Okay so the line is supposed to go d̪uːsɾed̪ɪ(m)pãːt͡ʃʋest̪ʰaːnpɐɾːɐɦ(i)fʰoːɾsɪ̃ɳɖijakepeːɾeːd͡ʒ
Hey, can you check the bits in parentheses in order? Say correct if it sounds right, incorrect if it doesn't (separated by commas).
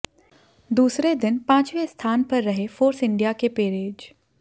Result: incorrect, incorrect